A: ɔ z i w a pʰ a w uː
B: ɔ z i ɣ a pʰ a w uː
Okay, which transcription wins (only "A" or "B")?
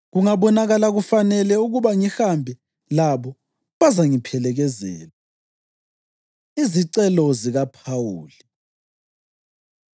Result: B